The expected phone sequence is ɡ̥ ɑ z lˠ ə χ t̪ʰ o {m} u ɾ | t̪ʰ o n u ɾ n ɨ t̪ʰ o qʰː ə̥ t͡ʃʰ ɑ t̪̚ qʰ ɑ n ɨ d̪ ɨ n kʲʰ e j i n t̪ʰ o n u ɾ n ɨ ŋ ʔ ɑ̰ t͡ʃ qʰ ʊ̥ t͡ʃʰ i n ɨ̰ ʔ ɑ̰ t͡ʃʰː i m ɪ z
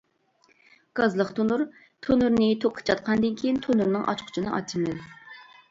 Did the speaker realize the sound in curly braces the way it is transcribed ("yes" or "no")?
no